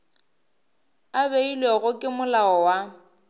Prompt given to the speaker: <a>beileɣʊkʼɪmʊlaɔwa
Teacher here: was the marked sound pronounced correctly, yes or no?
yes